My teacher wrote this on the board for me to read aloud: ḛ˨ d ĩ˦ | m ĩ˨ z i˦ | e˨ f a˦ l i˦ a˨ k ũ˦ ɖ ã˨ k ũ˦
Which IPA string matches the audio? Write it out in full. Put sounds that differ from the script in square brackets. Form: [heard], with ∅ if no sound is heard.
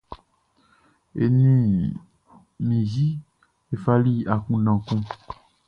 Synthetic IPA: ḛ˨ [n] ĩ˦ | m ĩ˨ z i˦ | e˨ f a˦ l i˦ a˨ k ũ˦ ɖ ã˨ k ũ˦